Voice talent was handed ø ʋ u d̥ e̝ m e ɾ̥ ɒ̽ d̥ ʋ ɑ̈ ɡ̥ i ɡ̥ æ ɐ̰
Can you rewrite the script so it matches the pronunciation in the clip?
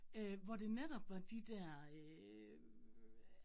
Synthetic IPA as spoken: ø ʋ ɒ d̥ e̝ n e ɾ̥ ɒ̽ b̥ ʋ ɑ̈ d̥ i d̥ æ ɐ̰